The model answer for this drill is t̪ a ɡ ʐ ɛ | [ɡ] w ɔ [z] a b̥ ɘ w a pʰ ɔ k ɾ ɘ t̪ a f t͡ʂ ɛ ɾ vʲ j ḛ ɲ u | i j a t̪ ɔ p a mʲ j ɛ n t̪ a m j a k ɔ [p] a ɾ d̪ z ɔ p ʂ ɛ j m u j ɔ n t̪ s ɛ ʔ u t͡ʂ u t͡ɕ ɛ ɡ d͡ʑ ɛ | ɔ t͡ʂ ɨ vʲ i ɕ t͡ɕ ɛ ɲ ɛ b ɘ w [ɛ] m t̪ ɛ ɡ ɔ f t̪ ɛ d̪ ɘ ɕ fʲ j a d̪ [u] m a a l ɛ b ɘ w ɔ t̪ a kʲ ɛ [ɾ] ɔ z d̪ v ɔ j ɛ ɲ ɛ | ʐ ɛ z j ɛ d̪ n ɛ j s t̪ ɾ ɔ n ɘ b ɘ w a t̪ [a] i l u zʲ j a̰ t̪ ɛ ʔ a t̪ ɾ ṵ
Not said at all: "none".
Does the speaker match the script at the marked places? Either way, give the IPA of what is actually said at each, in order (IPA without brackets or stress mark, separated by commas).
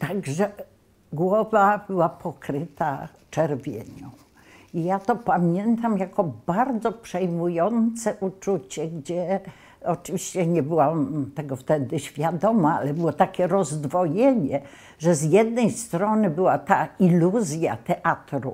ɡ, v, b, a, ɔ, ɾ, a